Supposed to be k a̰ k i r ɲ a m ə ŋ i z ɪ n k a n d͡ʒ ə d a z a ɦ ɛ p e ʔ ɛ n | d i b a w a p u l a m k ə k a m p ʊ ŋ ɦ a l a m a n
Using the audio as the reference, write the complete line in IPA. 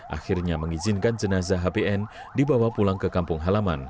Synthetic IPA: ʔ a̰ x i r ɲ a m ə ŋ i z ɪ n k a n d͡ʒ ə n a z a ɦ a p e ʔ ɛ n | d i b a w a p u l a ŋ k ə k a m p ʊ ŋ ɦ a l a m a n